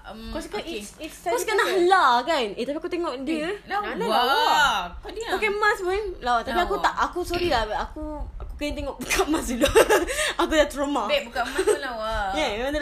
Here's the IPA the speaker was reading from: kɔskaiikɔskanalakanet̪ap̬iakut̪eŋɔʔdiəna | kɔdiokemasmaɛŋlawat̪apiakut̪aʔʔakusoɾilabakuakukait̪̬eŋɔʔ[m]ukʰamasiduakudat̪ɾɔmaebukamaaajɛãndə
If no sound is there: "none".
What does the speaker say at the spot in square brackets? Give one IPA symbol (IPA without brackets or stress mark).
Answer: b